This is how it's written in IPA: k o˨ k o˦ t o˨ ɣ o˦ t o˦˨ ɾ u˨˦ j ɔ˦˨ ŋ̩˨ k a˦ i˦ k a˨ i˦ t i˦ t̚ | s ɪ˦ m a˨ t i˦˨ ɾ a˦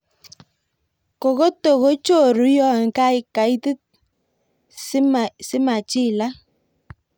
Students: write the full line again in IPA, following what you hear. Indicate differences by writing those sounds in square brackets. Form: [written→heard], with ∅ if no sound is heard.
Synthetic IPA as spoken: k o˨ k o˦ t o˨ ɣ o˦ [t→t͡ʃ] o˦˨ ɾ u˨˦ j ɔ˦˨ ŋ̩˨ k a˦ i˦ k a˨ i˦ t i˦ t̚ | s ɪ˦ m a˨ [t→t͡ʃ] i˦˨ [ɾ→l] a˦